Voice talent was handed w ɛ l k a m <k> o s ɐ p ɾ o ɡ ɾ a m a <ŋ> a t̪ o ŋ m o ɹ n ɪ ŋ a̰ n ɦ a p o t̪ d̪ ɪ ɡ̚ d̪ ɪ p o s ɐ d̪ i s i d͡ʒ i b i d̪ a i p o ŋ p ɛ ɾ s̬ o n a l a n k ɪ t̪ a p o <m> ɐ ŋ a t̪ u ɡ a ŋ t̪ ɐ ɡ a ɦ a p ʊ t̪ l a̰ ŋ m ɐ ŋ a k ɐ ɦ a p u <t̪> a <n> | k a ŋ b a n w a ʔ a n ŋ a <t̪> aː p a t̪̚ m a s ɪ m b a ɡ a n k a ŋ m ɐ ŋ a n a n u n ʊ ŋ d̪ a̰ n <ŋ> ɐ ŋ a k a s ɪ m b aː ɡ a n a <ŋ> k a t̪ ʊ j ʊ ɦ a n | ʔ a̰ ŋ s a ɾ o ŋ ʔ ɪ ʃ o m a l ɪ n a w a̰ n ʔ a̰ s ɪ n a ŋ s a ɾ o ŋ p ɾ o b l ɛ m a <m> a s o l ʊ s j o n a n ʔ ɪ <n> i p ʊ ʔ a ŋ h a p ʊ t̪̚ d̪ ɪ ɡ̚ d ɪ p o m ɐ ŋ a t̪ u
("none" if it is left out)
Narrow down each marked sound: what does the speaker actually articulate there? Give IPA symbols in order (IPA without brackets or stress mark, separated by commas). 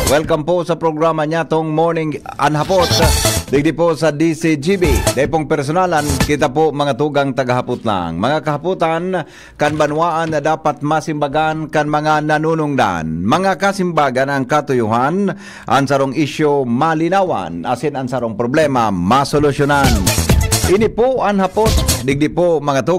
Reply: p, ɲ, m, t̪, n, d̪, m, ŋ, m, n